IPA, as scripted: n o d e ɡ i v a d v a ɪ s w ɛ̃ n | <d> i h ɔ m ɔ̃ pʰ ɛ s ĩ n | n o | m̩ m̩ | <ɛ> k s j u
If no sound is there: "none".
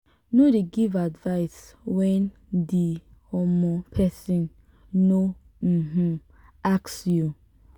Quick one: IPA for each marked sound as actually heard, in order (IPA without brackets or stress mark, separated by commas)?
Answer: d, a